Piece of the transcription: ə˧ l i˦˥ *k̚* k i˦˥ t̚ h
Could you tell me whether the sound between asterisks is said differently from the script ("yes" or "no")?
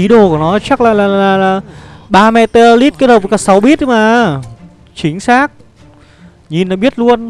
yes